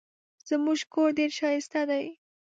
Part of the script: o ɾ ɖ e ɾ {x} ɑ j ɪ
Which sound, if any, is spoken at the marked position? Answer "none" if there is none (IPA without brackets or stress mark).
ʃ